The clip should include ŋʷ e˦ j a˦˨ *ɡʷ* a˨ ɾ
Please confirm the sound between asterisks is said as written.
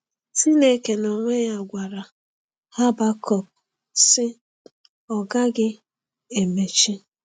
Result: yes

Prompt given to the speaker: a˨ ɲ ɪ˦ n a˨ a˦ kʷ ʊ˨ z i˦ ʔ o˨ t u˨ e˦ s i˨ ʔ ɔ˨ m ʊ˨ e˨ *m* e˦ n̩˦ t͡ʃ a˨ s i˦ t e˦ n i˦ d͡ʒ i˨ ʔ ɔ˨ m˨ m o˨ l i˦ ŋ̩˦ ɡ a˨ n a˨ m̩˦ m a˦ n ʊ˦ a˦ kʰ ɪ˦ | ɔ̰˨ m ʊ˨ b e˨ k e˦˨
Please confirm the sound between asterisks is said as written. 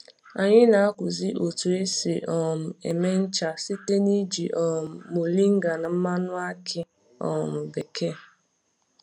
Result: yes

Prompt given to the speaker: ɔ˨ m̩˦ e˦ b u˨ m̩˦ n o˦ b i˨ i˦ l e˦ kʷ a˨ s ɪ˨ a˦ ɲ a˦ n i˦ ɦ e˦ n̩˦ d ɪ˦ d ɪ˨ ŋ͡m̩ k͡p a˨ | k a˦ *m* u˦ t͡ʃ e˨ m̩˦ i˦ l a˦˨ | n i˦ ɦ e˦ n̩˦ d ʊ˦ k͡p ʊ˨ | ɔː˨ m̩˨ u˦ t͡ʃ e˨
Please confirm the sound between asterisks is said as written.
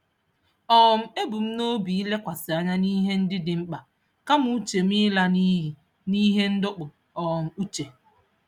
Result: yes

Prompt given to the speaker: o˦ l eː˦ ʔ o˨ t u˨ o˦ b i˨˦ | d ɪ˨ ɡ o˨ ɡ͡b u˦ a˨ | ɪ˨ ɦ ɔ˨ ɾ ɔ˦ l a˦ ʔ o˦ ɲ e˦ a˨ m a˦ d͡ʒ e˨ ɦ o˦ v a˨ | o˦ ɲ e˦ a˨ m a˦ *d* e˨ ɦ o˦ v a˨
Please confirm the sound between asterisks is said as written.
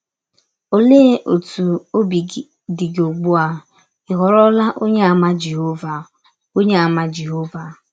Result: no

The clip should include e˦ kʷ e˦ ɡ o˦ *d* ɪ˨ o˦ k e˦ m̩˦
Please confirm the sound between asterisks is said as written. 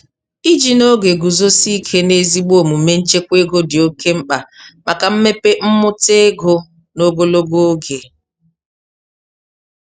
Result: yes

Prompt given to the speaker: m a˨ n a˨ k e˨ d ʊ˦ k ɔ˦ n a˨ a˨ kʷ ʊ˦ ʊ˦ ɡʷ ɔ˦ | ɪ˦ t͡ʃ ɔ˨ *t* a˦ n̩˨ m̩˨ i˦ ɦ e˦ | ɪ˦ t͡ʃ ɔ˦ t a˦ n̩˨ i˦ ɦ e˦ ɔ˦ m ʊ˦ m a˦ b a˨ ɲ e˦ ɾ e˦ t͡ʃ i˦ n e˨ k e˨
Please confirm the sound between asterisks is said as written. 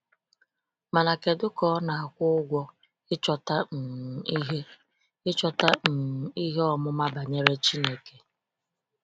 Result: yes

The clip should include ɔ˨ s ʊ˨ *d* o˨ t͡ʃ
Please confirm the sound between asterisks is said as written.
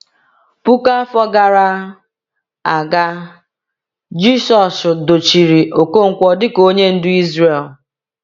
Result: yes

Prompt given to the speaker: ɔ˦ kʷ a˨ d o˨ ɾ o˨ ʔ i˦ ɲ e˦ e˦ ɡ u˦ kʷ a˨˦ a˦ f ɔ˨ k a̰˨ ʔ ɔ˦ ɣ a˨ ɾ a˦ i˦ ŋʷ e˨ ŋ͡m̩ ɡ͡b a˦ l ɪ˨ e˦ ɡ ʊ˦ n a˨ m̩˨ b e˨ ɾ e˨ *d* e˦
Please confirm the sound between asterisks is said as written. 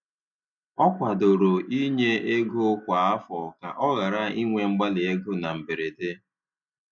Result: no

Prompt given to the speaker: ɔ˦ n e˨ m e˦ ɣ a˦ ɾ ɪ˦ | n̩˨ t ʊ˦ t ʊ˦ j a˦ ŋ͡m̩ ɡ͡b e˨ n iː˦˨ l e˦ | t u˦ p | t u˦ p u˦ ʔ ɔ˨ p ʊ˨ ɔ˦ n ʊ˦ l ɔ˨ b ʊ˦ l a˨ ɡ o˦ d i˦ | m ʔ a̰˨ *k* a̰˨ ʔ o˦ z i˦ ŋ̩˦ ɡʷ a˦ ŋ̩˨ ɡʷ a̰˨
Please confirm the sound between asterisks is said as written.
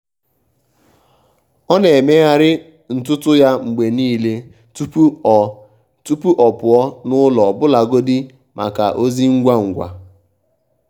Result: yes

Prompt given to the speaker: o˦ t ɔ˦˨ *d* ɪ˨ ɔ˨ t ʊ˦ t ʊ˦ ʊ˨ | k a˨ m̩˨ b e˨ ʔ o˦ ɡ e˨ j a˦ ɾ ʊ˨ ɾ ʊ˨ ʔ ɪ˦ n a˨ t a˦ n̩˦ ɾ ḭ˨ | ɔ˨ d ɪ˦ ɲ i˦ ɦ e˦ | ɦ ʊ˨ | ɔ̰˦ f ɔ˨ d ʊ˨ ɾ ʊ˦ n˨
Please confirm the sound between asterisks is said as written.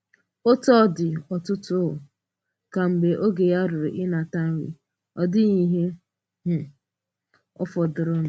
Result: yes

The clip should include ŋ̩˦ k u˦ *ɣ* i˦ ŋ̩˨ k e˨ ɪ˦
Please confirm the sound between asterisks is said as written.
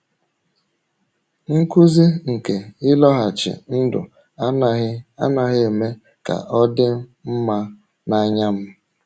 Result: no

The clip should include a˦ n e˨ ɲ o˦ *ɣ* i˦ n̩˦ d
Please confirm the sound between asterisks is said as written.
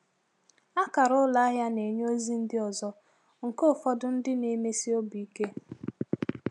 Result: no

